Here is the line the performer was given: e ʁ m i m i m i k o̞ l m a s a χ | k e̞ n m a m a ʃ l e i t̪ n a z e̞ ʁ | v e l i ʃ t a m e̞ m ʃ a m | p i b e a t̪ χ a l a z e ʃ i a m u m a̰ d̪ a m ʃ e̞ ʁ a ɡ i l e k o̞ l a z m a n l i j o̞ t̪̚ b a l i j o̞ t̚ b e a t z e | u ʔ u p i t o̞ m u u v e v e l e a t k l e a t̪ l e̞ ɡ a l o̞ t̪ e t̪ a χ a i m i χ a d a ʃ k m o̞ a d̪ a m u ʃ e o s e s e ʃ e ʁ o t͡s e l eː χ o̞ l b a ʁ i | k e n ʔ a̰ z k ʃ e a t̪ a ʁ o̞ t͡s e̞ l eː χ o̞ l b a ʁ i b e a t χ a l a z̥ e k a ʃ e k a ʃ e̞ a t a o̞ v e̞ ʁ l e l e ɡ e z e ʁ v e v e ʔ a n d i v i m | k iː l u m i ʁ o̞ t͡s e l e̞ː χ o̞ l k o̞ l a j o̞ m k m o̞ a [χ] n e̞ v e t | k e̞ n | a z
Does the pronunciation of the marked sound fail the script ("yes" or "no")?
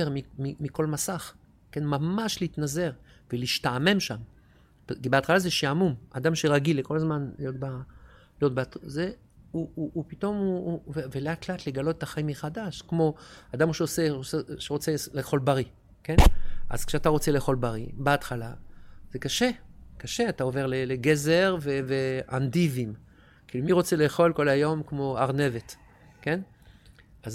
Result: yes